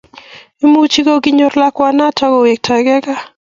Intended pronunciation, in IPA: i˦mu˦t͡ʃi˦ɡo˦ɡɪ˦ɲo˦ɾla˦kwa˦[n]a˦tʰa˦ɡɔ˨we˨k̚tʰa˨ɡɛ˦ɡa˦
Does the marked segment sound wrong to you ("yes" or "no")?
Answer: no